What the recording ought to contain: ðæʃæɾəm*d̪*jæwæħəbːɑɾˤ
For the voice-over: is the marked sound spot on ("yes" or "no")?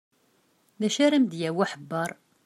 yes